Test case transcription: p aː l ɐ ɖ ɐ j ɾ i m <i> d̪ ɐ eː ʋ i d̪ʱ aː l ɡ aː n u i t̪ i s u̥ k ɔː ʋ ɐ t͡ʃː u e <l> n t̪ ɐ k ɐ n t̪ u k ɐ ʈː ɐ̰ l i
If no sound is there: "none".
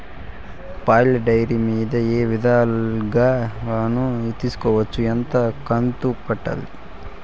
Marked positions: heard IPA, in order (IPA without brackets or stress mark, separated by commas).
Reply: iː, none